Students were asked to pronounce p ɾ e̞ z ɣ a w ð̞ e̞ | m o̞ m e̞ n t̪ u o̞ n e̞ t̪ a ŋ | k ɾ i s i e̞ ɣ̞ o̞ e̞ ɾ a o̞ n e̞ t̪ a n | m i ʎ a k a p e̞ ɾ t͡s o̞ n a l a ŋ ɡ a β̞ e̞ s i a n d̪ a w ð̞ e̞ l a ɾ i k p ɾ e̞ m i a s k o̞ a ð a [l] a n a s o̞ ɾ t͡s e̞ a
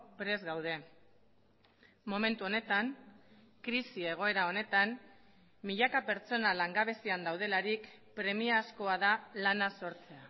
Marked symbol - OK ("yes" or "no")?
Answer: yes